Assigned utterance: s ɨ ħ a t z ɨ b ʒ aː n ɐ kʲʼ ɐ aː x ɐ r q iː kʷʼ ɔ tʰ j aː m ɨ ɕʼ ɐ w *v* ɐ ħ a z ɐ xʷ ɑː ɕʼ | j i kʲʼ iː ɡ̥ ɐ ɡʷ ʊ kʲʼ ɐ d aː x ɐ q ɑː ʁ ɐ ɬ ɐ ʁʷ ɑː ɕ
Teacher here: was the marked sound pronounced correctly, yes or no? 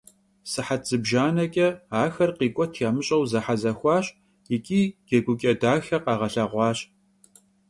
no